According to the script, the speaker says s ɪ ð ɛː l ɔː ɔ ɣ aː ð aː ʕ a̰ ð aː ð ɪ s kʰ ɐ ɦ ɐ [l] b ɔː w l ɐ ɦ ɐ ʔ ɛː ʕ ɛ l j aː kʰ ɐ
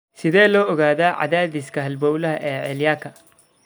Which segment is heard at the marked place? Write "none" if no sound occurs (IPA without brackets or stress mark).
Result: l